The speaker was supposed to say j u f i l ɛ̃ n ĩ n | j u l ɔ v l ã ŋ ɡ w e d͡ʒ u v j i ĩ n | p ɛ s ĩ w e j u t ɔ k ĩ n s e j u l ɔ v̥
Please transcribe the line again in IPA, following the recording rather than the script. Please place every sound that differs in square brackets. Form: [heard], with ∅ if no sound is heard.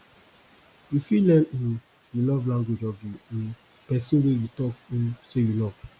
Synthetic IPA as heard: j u f i l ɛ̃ n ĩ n | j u l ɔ v l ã ŋ ɡ w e d͡ʒ [ɔ] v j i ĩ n | p ɛ s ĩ w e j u t ɔ k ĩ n s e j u l ɔ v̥